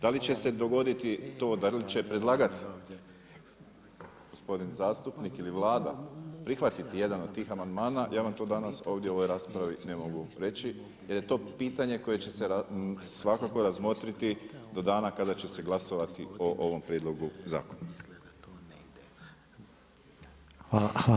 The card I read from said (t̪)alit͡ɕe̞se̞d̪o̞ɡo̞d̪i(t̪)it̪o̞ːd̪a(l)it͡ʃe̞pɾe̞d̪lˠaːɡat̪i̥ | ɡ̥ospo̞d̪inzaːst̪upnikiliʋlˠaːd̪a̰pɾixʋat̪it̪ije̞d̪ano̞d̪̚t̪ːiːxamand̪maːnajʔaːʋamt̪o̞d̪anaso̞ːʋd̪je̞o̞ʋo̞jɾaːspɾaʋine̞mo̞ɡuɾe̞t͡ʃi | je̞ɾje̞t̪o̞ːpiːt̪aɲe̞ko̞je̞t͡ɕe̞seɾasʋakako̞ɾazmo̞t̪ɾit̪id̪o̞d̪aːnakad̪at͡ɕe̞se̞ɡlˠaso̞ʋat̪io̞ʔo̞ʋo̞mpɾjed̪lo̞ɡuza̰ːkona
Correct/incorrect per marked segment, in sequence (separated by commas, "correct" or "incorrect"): incorrect, correct, correct